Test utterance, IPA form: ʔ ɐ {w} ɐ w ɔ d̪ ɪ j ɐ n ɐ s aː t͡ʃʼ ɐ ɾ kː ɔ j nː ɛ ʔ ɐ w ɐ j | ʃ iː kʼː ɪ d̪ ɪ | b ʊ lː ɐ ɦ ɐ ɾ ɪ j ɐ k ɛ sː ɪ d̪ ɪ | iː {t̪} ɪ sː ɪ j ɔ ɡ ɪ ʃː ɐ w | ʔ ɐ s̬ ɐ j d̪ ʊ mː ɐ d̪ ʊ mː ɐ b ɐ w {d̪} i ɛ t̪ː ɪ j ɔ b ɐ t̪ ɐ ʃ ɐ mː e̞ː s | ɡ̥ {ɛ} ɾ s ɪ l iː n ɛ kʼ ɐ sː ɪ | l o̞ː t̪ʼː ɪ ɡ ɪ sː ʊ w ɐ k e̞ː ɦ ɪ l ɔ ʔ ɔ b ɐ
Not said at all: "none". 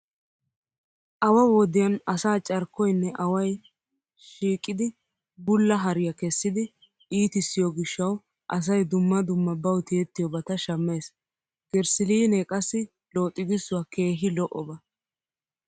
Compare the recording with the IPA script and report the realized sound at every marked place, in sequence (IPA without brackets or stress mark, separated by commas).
w, t̪, t̪, ɛ